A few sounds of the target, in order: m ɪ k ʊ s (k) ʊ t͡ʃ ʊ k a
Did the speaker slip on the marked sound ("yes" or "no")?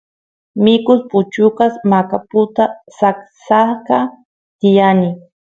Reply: yes